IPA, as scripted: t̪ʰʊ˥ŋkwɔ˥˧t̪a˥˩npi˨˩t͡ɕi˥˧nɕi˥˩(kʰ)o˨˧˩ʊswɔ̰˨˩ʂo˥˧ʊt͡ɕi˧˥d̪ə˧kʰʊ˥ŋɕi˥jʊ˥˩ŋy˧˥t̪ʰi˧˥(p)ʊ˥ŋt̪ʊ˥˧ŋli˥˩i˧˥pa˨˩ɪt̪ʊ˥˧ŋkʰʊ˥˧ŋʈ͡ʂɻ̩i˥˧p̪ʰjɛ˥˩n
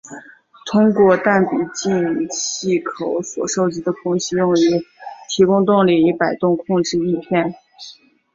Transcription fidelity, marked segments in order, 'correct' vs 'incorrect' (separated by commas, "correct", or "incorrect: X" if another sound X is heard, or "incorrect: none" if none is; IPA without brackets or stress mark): correct, incorrect: k